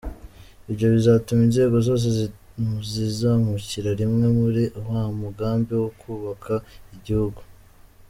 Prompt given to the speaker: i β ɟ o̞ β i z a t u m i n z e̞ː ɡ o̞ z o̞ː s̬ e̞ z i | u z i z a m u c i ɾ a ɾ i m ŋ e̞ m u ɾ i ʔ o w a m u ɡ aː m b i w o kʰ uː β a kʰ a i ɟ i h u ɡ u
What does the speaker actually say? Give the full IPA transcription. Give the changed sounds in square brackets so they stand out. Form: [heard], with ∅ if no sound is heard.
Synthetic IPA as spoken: i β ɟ o̞ β i z a t u m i n z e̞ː ɡ o̞ z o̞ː s̬ e̞ z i | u z i z a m u c i ɾ a ɾ i m ŋ e̞ m u ɾ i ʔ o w a m u ɡ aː m b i w o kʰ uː β a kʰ a i ɟ i h u ɡ u